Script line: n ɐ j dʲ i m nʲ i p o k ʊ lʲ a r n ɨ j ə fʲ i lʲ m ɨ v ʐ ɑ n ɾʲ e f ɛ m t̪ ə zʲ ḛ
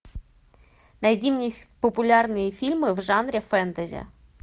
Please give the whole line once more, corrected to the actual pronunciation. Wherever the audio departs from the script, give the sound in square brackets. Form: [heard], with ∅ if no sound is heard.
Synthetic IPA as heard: n ɐ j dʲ i m nʲ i p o [p] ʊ lʲ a r n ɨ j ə fʲ i lʲ m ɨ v ʐ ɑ n ɾʲ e f ɛ [n] t̪ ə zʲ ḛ